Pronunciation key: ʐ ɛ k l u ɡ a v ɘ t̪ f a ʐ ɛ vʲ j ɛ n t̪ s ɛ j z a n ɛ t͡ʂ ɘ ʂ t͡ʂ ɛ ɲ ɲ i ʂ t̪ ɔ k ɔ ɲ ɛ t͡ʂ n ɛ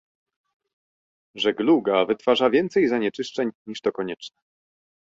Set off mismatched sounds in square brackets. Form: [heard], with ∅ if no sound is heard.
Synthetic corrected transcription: ʐ ɛ [ɡ] l u ɡ a v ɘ t̪ f a ʐ [a] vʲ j ɛ n t̪ s ɛ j z a [ɲ] ɛ t͡ʂ ɘ ʂ t͡ʂ ɛ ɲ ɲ i ʂ t̪ ɔ k ɔ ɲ ɛ t͡ʂ n ɛ